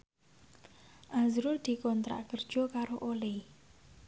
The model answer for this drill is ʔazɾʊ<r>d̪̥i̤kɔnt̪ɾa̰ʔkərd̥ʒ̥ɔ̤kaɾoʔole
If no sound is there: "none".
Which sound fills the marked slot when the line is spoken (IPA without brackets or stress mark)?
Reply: r